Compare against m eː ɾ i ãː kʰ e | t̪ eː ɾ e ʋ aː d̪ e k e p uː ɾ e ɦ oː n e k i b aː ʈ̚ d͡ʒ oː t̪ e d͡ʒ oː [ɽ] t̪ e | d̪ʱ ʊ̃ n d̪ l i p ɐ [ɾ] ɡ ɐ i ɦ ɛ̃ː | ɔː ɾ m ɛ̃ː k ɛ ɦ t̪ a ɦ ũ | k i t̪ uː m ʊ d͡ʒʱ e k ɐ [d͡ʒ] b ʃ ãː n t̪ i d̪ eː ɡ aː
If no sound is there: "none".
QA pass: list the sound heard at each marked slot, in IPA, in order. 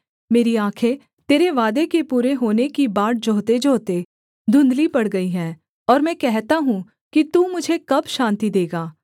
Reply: none, ɽ, none

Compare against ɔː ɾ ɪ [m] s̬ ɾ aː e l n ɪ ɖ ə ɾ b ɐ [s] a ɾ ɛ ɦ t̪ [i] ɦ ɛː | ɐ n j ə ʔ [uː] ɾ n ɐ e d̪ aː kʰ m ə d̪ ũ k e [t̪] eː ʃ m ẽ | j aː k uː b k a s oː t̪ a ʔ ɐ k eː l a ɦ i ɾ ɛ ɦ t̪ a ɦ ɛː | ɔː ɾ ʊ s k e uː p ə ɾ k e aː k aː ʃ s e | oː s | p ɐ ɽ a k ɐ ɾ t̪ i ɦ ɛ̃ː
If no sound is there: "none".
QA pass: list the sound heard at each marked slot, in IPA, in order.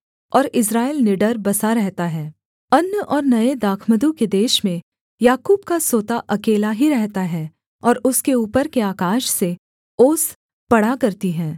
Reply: none, s, a, ɔː, d̪

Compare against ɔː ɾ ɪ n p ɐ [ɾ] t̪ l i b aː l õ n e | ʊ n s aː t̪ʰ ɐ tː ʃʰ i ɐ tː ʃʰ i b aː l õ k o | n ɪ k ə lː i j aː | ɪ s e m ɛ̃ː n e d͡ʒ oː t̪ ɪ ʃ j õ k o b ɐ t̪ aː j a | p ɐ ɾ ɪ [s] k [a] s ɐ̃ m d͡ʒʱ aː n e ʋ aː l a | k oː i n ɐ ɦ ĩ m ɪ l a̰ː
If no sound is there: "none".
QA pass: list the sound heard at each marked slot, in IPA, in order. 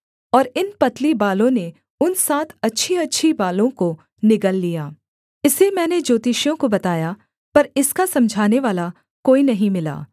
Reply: none, s, a

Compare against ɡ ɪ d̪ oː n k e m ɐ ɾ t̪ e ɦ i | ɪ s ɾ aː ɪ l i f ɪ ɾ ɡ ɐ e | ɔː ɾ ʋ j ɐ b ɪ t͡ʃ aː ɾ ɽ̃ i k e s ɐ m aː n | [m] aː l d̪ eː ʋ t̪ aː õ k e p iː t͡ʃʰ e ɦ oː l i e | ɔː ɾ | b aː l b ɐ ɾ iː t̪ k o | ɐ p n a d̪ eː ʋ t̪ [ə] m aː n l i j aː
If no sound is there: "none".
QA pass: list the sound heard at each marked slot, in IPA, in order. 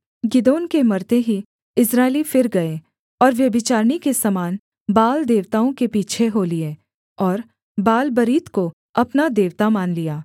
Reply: b, a

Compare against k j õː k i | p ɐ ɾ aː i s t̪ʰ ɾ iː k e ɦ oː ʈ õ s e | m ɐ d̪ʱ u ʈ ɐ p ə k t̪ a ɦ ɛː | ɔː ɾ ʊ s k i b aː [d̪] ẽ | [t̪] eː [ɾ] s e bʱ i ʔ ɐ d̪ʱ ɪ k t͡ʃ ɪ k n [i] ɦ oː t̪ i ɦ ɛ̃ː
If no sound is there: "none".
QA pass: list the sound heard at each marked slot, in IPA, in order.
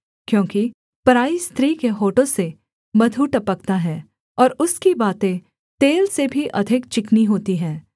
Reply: t̪, t̪, l, i

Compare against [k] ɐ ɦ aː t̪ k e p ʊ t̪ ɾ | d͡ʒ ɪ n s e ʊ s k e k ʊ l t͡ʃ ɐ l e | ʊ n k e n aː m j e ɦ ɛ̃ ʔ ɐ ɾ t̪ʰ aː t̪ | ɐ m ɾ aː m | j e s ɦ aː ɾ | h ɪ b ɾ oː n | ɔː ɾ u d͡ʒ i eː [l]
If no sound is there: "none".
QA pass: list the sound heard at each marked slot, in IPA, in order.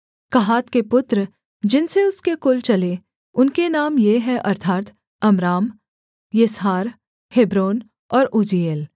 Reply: k, l

